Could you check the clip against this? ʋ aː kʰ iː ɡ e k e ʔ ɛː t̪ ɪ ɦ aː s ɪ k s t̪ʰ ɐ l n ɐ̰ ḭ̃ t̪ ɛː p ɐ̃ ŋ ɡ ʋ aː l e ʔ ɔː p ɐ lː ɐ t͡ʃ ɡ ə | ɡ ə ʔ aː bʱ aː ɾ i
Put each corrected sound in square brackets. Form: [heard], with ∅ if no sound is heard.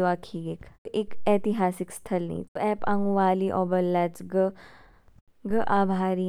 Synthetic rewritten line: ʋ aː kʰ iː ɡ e k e [k] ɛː t̪ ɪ ɦ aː s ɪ k s t̪ʰ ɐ l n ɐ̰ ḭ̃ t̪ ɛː p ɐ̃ ŋ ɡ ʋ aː l [i] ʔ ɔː [b] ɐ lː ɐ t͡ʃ ɡ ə | ɡ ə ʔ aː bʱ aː ɾ i

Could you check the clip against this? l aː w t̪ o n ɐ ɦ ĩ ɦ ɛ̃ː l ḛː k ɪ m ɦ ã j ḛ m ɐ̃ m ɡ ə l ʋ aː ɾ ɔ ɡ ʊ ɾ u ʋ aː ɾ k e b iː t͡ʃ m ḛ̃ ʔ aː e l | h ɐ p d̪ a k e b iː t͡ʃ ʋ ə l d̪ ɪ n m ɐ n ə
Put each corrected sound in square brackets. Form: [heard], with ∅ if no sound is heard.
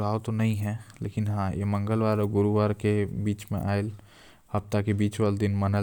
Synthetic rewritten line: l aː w t̪ o n ɐ ɦ ĩ ɦ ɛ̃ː l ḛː k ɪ [n] ɦ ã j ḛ m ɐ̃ [ŋ] ɡ ə l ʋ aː ɾ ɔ ɡ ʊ ɾ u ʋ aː ɾ k e b iː t͡ʃ m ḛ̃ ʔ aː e l | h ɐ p [t̪] a k e b iː t͡ʃ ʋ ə l d̪ ɪ n m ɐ n ə

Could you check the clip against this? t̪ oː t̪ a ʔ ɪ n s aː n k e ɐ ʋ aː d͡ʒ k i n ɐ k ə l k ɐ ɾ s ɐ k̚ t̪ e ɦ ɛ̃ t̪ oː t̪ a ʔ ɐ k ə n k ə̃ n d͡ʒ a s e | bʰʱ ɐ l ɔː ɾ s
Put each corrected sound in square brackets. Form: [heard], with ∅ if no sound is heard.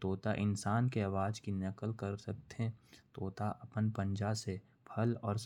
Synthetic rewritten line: t̪ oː t̪ a ʔ ɪ n s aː n k e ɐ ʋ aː d͡ʒ k i n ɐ k ə l k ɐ ɾ s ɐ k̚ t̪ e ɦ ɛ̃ t̪ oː t̪ a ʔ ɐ [p] ə n [p] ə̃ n d͡ʒ a s e | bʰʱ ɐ l ɔː ɾ s

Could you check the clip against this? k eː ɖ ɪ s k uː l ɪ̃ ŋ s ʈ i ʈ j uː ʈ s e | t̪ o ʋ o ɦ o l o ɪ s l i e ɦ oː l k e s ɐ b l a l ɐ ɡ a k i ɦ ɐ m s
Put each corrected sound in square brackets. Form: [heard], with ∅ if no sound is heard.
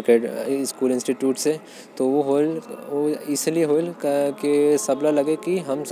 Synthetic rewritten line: k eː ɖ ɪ s k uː l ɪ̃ [n] s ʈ i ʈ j uː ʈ s e | t̪ o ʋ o ɦ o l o ɪ s l i e ɦ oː l k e s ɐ b l a l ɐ ɡ [e] k i ɦ ɐ m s

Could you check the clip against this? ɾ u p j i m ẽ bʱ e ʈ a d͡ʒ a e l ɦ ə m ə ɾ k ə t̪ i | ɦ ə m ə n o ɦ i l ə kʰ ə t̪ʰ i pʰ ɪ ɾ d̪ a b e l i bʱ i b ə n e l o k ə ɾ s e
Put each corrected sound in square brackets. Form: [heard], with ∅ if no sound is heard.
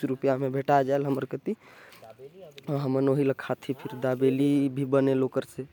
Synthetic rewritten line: ɾ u p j [a] m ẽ bʱ e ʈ a d͡ʒ a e l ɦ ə m ə ɾ k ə t̪ i | ɦ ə m ə n o ɦ i l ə kʰ [a] t̪ʰ i pʰ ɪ ɾ d̪ a b e l i bʱ i b ə n e l o k ə ɾ s e

